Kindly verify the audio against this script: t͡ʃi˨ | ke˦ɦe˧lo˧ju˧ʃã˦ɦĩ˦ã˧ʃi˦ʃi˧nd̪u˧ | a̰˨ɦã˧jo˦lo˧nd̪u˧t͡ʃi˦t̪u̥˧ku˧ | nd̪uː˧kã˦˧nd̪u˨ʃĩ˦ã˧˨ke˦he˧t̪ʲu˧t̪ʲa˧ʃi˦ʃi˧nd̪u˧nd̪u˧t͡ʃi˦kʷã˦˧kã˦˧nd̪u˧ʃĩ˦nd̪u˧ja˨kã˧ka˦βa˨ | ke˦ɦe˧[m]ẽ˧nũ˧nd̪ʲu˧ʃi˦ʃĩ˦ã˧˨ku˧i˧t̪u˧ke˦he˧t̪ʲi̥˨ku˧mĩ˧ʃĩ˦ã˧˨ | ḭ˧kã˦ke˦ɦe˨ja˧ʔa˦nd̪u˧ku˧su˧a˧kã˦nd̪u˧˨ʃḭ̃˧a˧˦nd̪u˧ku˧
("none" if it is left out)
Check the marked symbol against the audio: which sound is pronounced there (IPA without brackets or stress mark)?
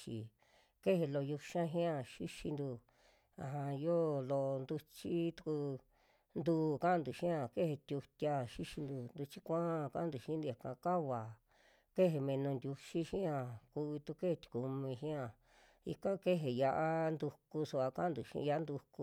m